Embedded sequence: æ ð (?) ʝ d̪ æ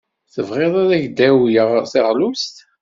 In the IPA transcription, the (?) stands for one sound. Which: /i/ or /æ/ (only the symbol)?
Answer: æ